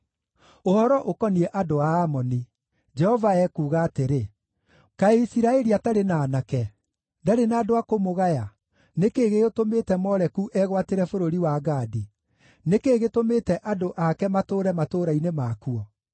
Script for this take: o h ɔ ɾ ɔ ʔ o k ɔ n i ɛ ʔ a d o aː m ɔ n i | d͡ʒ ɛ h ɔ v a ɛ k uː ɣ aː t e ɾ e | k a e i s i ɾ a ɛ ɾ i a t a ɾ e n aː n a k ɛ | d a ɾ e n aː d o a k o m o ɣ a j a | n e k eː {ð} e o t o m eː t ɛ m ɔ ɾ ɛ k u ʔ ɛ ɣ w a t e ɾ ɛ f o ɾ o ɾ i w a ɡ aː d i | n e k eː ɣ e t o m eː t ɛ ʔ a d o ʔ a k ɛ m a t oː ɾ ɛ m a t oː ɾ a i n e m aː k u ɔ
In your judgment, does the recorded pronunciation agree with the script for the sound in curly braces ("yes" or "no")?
no